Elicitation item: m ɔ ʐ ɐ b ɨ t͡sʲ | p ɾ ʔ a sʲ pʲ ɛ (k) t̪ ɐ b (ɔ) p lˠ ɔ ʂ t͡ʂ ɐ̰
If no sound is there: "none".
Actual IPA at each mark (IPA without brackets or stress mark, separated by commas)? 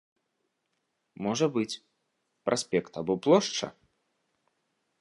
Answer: k, ɔ